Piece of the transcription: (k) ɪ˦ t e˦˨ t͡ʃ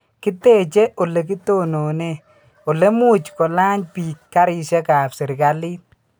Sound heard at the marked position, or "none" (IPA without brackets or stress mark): k